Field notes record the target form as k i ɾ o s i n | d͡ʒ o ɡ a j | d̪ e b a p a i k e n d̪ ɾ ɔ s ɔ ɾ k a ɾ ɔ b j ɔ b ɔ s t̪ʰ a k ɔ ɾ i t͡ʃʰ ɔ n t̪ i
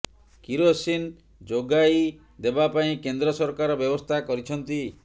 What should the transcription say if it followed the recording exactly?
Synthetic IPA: k i ɾ o s i n | d͡ʒ o ɡ a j | d̪ e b a p a ĩ k e n d̪ ɾ ɔ s ɔ ɾ k a ɾ ɔ b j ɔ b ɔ s t̪ʰ a k ɔ ɾ i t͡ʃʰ ɔ n t̪ i